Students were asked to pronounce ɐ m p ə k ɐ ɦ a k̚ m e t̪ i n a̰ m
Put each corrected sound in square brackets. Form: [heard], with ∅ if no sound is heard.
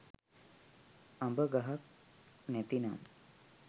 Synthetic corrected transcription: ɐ m [b] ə [ɡ] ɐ ɦ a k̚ [n] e t̪ i n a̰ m